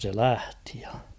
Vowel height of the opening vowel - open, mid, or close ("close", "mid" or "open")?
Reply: mid